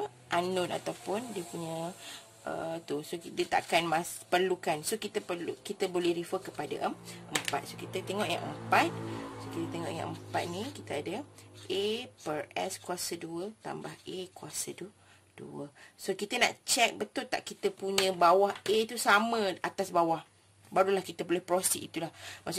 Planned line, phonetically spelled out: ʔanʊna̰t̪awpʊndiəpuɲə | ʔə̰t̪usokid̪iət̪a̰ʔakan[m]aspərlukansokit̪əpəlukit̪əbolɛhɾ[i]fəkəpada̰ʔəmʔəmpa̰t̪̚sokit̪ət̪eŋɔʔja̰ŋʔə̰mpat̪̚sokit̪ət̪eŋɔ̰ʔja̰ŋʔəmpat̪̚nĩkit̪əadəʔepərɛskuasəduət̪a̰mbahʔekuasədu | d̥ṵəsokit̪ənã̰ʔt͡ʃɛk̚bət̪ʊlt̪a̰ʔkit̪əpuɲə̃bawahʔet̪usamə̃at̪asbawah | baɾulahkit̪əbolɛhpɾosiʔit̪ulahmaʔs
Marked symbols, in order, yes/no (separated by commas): yes, yes